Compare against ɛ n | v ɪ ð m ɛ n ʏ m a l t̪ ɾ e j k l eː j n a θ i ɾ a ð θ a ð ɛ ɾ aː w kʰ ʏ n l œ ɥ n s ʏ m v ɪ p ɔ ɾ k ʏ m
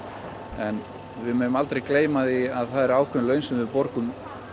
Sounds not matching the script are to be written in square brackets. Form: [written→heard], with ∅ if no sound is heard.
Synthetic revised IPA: ɛ n | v ɪ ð m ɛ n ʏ m a l t̪ ɾ e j k l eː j [n→m] a [θ→ð] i [ɾ→∅] a ð θ a ð ɛ ɾ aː w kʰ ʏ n l œ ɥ n s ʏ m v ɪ p ɔ ɾ k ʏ m